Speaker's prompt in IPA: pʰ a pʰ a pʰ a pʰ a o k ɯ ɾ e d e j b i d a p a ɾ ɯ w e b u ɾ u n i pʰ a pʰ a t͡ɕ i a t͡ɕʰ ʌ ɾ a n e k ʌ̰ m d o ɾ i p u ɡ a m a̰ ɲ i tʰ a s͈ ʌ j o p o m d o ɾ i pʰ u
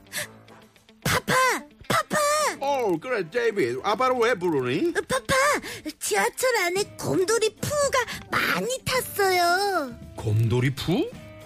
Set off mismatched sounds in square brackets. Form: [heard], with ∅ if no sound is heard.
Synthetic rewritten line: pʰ a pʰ a pʰ a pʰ a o k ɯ ɾ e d e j b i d a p a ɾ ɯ w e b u ɾ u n i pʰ a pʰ a t͡ɕ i a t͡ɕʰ ʌ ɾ a n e k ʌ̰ m d o ɾ i [pʰ] u ɡ a m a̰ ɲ i tʰ a s͈ ʌ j o [k] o m d o ɾ i pʰ u